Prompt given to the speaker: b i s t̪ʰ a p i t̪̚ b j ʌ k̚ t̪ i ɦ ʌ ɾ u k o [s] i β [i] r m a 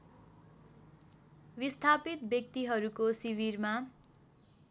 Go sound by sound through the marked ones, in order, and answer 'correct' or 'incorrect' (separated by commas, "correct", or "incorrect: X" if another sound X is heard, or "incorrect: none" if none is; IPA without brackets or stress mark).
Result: correct, correct